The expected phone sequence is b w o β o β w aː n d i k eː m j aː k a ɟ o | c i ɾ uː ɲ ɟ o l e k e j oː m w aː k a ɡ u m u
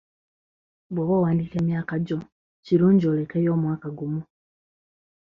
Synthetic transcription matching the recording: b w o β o w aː n d i k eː m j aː k a ɟ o | c i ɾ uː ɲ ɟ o l e k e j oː m w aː k a ɡ u m u